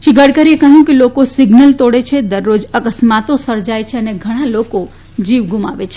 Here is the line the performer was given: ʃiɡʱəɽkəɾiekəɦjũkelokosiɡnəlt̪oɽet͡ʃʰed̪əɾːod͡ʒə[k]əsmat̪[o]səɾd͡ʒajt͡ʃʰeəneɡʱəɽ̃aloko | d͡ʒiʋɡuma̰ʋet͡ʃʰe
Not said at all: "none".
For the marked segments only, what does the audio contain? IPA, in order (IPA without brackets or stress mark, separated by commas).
k, o